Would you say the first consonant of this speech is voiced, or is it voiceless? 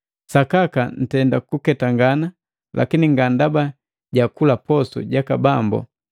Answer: voiceless